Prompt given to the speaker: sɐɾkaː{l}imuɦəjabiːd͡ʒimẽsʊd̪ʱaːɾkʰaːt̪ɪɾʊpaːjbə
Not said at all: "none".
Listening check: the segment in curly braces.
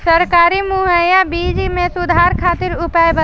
ɾ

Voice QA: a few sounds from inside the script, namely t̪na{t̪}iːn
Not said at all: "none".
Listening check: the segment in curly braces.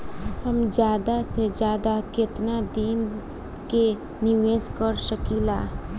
d̪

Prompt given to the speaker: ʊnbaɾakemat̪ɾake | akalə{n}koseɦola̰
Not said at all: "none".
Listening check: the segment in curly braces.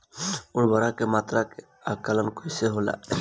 n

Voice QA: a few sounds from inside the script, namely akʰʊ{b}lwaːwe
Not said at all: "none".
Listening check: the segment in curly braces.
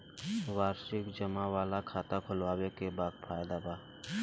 none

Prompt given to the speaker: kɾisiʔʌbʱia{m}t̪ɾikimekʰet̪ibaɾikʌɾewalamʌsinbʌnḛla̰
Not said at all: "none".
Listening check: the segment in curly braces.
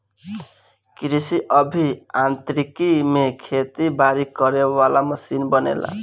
n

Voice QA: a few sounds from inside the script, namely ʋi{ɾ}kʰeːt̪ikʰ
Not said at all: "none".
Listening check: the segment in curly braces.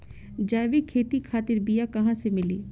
none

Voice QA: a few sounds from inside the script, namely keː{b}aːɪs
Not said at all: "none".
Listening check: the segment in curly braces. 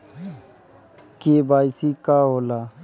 b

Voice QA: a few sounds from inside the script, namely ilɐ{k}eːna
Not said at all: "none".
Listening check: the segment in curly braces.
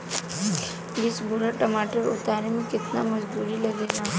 ɡ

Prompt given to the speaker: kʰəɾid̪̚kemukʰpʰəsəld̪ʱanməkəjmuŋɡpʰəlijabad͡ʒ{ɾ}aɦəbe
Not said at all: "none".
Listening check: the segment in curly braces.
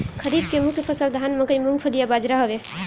ɾ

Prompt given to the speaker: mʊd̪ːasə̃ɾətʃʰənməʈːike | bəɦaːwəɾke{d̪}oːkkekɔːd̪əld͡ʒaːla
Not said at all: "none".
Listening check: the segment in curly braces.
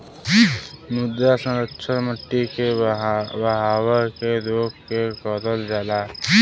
d̪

